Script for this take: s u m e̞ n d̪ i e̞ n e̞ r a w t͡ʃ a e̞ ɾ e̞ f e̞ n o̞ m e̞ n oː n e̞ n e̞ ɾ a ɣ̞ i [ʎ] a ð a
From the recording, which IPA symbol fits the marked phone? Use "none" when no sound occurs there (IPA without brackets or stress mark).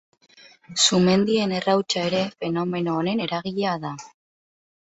ʎ